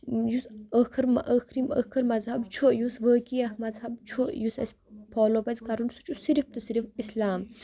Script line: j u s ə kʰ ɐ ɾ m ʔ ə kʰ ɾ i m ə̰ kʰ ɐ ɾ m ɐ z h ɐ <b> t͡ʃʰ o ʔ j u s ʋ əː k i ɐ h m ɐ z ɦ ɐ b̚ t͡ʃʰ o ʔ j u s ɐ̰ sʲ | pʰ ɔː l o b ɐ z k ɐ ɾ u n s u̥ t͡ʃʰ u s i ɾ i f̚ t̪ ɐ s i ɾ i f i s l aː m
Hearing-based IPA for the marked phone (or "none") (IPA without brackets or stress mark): b